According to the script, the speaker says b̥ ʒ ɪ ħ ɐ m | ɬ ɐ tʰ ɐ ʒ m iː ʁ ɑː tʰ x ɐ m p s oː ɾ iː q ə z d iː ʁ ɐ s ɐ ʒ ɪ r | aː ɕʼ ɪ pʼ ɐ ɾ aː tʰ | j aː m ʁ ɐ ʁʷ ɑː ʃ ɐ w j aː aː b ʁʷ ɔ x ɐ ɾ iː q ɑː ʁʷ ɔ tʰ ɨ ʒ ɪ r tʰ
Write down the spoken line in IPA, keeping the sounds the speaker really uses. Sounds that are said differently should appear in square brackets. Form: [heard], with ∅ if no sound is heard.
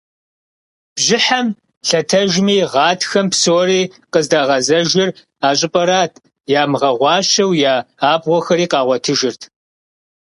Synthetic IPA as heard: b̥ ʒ ɪ ħ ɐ m | ɬ ɐ tʰ ɐ ʒ m iː ʁ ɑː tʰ x ɐ m p s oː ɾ iː q ə z d [aː] ʁ ɐ [z] ɐ ʒ ɪ r | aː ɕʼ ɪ pʼ ɐ ɾ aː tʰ | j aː m ʁ ɐ ʁʷ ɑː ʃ ɐ w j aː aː b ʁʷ ɔ x ɐ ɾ iː q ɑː ʁʷ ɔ tʰ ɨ ʒ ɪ r tʰ